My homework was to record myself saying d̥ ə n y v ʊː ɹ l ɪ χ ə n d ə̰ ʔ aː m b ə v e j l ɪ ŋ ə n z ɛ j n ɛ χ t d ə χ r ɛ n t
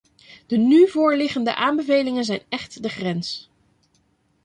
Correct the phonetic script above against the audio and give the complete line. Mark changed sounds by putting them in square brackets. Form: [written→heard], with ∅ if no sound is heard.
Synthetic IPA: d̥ ə n y v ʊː ɹ l ɪ χ ə n d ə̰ ʔ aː m b ə v e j l ɪ ŋ ə n z ɛ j n ɛ χ t d ə χ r ɛ n [t→s]